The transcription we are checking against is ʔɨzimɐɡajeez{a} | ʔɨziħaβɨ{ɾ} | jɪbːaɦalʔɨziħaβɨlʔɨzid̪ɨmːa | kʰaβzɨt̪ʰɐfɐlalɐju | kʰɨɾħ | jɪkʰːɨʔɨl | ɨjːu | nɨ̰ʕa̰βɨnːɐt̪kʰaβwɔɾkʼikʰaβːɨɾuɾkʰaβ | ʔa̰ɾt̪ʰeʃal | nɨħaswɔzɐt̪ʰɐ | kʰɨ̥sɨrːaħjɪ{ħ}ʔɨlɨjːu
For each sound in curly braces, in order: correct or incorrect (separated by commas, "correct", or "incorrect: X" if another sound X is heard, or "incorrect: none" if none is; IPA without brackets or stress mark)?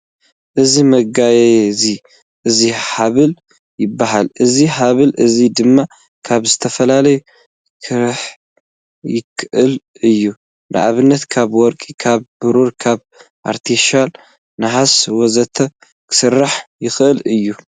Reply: incorrect: i, incorrect: l, incorrect: x